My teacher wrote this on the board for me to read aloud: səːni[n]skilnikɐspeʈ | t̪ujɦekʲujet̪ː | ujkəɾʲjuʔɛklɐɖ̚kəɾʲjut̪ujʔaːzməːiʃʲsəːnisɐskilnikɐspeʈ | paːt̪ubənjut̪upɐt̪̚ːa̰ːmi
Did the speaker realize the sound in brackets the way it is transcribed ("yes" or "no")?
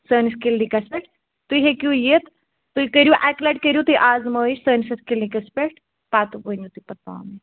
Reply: no